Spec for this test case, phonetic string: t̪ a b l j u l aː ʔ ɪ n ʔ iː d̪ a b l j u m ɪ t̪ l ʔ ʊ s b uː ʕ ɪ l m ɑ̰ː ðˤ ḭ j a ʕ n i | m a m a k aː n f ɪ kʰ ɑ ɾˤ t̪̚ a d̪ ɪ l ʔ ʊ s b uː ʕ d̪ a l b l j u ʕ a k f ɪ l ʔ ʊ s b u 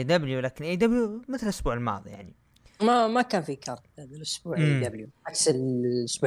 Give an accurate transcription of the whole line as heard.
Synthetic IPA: d̪ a b l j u l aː k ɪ n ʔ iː d̪ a b l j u m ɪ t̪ l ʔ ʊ s b uː ʕ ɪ l m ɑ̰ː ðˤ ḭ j a ʕ n i | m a m a k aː n f i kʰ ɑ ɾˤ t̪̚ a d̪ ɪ l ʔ ʊ s b uː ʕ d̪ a b l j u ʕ a k s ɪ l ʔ ʊ s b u